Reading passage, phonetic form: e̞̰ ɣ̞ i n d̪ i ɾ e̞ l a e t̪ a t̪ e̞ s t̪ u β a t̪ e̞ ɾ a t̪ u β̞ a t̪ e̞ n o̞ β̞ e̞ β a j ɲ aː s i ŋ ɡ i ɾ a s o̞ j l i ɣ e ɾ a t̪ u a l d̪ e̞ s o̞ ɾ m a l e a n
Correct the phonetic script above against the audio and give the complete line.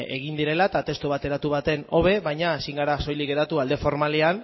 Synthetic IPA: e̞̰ ɣ̞ i n d̪ i ɾ e̞ l a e t̪ a t̪ e̞ s t̪ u β a t̪ e̞ ɾ a t̪ u β̞ a t̪ e̞ n o̞ β̞ e̞ β a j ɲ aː s i ŋ ɡ a ɾ a s o̞ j l i ɣ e ɾ a t̪ u a l d̪ e̞ f o̞ ɾ m a l e a n